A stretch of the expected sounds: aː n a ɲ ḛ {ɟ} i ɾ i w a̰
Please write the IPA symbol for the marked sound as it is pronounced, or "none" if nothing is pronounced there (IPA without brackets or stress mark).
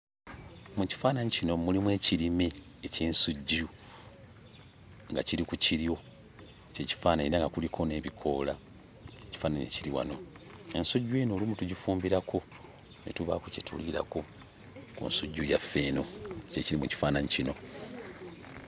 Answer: c